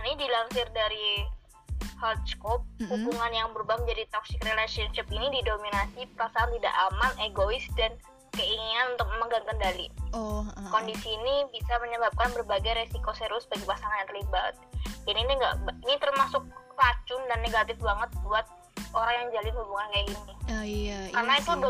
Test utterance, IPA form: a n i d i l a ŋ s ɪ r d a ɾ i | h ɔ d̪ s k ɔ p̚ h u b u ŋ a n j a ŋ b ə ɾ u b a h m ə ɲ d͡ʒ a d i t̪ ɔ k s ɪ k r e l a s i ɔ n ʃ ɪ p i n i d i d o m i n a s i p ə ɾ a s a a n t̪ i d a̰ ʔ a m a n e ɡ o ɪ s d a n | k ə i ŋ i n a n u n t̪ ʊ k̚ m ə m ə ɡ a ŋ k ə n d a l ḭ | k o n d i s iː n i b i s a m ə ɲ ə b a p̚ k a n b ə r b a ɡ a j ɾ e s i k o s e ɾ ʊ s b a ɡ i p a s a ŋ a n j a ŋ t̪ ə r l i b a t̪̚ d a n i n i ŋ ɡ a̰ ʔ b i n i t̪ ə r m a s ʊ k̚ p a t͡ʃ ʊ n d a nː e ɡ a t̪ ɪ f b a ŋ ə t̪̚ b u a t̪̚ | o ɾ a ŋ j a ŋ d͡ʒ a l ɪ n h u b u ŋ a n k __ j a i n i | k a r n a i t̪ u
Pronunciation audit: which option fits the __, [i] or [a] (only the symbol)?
a